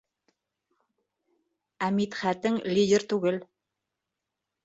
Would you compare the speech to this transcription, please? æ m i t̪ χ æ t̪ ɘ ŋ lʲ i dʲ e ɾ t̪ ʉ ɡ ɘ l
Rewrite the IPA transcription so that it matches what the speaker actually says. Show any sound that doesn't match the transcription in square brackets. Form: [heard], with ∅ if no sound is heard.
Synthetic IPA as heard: æ m i t̪ χ æ t̪ ɘ ŋ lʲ i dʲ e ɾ t̪ ʉ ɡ ɘ l

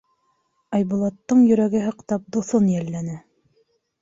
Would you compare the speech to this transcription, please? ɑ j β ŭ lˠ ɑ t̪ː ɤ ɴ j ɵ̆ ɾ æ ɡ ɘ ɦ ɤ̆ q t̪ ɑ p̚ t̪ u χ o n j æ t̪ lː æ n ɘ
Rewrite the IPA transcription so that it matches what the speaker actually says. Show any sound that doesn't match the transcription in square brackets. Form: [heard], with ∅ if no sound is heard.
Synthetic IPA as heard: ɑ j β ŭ lˠ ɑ t̪ː ɤ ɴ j ɵ̆ ɾ æ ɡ ɘ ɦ ɤ̆ q t̪ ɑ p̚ [d̪] u [θ] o n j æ [∅] lː æ n ɘ

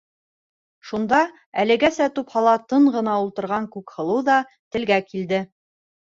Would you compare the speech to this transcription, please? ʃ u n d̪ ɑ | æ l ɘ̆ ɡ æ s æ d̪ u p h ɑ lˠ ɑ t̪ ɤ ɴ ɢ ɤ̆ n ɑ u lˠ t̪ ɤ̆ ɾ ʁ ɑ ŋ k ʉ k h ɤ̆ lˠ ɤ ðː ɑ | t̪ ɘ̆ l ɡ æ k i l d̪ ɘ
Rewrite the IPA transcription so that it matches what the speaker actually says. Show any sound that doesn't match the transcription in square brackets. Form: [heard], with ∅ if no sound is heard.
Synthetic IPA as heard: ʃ u n d̪ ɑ | æ l ɘ̆ ɡ æ s æ [t̪] u p h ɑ lˠ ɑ t̪ ɤ ɴ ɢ ɤ̆ n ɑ u lˠ t̪ ɤ̆ ɾ ʁ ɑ ŋ k ʉ k h ɤ̆ lˠ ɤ [ð] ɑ | t̪ ɘ̆ l ɡ æ k i l d̪ ɘ

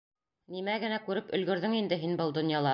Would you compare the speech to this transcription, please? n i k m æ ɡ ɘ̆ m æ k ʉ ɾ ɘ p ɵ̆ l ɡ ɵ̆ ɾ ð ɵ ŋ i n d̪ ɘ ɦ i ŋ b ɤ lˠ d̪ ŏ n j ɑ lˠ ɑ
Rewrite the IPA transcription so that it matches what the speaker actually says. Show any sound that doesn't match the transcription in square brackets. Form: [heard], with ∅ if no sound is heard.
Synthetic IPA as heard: n i [∅] m æ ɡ ɘ̆ [n] æ k ʉ ɾ ɘ p ɵ̆ l ɡ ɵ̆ ɾ ð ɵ ŋ i n d̪ ɘ ɦ i [n] b ɤ lˠ d̪ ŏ n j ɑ lˠ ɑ

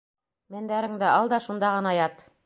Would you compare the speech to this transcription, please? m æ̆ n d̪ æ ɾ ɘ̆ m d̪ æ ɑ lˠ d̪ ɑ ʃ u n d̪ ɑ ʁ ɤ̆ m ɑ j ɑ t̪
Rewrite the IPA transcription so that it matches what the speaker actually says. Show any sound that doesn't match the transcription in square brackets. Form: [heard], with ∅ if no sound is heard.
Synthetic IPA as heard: m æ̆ n d̪ æ ɾ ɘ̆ [ŋ] d̪ æ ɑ lˠ d̪ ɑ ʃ u n d̪ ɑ ʁ ɤ̆ [n] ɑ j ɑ t̪

